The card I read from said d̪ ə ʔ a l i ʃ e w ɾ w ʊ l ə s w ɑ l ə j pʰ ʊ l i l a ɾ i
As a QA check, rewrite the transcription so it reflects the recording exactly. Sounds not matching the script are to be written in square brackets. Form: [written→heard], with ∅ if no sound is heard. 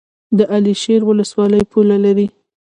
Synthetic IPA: d̪ ə ʔ a l i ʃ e [w→∅] ɾ w ʊ l ə s w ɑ l ə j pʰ [ʊ→u] l [i→a] l a ɾ i